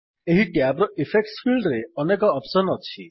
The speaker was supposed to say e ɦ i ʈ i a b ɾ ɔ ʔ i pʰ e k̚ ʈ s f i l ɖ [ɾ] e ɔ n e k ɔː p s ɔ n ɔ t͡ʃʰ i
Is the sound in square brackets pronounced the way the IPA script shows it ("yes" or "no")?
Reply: yes